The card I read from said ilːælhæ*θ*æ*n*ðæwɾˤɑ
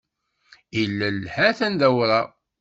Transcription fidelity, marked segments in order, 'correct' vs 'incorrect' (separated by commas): correct, correct